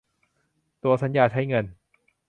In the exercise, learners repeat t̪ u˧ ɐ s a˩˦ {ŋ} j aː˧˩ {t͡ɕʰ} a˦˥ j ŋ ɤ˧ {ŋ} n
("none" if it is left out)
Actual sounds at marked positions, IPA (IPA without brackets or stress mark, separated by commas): n, t͡ɕʰ, none